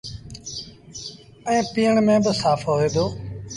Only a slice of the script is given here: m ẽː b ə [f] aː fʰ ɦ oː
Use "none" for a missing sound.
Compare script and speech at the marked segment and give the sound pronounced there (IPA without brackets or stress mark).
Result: s